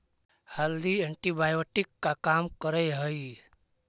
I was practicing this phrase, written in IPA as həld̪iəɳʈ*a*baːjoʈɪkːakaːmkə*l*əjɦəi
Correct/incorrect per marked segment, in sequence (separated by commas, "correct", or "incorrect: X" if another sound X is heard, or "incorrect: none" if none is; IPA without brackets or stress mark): incorrect: i, incorrect: ɾ